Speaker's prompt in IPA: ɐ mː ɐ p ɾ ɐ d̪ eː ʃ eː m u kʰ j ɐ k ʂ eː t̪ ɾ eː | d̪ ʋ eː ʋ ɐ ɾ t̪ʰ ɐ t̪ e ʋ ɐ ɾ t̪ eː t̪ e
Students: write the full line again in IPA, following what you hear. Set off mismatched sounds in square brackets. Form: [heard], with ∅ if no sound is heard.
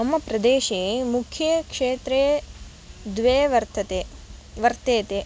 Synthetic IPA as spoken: ɐ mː ɐ p ɾ ɐ d̪ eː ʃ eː m u kʰ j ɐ k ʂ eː t̪ ɾ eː | d̪ ʋ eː ʋ ɐ ɾ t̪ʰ ɐ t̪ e ʋ ɐ ɾ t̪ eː t̪ e